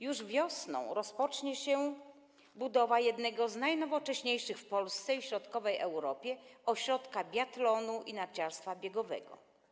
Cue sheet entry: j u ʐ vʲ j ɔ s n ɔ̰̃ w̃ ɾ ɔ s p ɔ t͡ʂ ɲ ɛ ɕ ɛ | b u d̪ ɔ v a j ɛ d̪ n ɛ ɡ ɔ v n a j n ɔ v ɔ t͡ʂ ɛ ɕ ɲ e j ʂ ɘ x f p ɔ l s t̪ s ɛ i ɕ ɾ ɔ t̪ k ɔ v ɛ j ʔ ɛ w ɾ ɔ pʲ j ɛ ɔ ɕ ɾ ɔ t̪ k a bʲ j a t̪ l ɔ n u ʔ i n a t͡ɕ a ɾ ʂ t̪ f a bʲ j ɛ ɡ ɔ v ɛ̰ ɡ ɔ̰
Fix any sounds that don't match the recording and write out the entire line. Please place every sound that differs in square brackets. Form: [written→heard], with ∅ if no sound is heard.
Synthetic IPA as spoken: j u ʐ vʲ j ɔ s n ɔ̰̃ w̃ ɾ ɔ s p ɔ t͡ʂ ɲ ɛ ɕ ɛ | b u d̪ ɔ v a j ɛ d̪ n ɛ ɡ ɔ [v→z] n a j n ɔ v ɔ t͡ʂ ɛ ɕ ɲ e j ʂ ɘ x f p ɔ l s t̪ s ɛ i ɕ ɾ ɔ t̪ k ɔ v ɛ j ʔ ɛ w ɾ ɔ pʲ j ɛ ɔ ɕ ɾ ɔ t̪ k a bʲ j a t̪ l ɔ n u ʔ i n a t͡ɕ a ɾ [ʂ→s] t̪ f a bʲ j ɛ ɡ ɔ v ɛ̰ ɡ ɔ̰